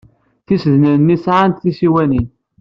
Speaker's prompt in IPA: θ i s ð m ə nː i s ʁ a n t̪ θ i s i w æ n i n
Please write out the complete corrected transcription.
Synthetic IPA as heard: θ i s ð n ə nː i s ʕ a n t̪ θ i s i w æ n i n